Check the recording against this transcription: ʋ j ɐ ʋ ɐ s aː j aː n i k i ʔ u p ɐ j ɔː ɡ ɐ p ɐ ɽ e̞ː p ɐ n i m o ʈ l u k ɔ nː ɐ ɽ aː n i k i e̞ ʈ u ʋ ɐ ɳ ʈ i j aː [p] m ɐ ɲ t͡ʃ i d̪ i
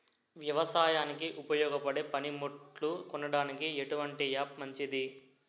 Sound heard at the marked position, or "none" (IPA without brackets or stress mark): p